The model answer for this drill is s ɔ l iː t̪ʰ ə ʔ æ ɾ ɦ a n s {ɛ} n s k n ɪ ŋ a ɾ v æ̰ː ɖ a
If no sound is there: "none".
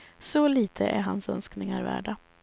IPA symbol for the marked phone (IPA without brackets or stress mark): œ